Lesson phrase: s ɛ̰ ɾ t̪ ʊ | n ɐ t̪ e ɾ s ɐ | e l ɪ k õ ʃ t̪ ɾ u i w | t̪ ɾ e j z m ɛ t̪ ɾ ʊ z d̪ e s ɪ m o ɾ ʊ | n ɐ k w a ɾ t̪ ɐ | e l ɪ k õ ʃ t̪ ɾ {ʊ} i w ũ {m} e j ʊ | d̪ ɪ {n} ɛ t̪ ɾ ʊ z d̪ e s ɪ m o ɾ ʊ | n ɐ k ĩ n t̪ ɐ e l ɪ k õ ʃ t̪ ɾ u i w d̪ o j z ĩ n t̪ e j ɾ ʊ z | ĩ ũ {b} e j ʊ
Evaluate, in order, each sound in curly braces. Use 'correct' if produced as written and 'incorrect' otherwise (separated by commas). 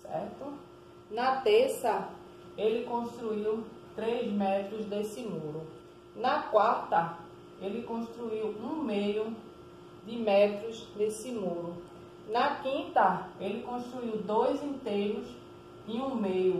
incorrect, correct, incorrect, incorrect